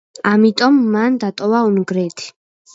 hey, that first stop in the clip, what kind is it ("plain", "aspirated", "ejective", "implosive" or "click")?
ejective